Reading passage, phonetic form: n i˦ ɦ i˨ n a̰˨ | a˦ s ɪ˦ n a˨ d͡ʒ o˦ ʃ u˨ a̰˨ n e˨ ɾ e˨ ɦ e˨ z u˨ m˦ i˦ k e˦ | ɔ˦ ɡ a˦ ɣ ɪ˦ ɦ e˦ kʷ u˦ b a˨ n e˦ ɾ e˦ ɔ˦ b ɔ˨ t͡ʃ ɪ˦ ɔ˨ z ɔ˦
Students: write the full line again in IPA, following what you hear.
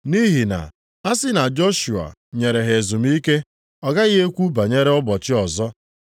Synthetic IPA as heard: n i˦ ɦ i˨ n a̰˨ | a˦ s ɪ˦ n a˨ d͡ʒ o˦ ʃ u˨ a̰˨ ɲ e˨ ɾ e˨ ɦ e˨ z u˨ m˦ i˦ k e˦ | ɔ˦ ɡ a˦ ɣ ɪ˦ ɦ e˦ kʷ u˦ b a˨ ɲ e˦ ɾ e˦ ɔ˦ b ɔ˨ t͡ʃ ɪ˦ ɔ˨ z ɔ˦